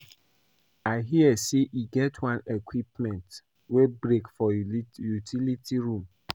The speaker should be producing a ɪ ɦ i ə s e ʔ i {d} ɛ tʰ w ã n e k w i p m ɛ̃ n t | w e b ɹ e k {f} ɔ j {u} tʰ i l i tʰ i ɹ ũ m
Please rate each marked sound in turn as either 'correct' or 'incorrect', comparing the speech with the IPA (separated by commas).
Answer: incorrect, correct, correct